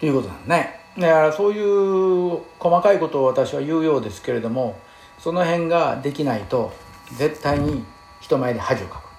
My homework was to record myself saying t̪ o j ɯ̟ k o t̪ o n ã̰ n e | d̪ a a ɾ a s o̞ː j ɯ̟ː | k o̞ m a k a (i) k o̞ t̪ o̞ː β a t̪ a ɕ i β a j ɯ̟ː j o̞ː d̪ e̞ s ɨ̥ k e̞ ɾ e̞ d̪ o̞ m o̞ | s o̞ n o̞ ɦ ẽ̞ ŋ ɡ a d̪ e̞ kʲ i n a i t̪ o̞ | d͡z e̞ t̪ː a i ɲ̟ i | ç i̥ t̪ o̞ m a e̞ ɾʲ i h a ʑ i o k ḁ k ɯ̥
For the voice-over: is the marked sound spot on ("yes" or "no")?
yes